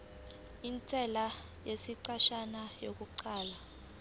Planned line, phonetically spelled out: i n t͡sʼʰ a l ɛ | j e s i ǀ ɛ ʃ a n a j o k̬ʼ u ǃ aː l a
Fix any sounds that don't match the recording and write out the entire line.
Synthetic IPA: i n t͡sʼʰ ɛ l a | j e s i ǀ a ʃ a n a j o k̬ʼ u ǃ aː l a